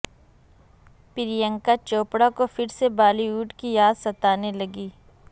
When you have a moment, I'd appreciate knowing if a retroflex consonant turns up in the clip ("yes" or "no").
yes